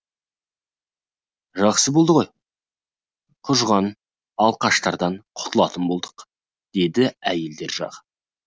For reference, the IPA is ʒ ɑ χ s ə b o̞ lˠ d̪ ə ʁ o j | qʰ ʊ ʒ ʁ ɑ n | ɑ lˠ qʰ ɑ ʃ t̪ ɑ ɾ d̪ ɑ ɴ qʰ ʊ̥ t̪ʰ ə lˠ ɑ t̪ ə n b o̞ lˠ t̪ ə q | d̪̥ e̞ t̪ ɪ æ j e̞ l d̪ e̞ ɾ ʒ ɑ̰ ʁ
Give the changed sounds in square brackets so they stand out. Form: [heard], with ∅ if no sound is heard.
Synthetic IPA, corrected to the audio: ʒ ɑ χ s ə b o̞ lˠ d̪ ə ʁ o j | qʰ ʊ ʒ ʁ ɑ n | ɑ lˠ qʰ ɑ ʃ t̪ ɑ ɾ d̪ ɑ ɴ qʰ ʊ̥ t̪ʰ ə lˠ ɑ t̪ ə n b o̞ lˠ [d̪] ə q | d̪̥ e̞ [d̪] ɪ æ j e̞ l d̪ e̞ ɾ ʒ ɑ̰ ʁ

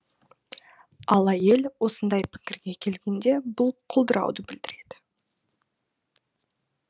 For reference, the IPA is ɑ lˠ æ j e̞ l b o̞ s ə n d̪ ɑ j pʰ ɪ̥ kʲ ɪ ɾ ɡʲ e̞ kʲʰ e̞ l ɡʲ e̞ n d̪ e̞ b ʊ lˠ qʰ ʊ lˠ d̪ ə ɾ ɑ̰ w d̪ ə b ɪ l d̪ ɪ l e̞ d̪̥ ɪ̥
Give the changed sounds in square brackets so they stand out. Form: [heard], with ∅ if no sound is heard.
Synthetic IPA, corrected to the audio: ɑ lˠ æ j e̞ l [w] o̞ s ə n d̪ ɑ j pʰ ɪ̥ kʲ ɪ ɾ ɡʲ e̞ kʲʰ e̞ l ɡʲ e̞ n d̪ e̞ b ʊ lˠ qʰ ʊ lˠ d̪ ə ɾ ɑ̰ w d̪ ə b ɪ l d̪ ɪ [ɾ] e̞ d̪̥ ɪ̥

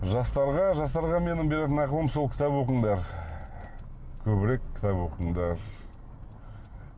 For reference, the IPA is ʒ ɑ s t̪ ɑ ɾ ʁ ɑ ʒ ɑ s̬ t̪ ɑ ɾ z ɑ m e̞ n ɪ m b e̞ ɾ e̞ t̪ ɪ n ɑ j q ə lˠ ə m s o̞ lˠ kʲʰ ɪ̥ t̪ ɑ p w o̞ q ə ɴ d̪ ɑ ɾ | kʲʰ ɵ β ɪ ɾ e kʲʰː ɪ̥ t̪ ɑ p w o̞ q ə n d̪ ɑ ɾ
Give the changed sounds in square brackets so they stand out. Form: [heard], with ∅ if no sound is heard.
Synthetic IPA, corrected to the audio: ʒ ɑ s t̪ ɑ ɾ ʁ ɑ ʒ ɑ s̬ t̪ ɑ ɾ [ʁ] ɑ m e̞ n ɪ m b e̞ ɾ e̞ t̪ ɪ n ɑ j q ə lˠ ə m s o̞ lˠ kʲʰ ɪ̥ t̪ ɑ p w o̞ q ə ɴ d̪ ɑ ɾ | kʲʰ ɵ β ɪ ɾ e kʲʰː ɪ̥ t̪ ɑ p w o̞ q ə [ɴ] d̪ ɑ ɾ

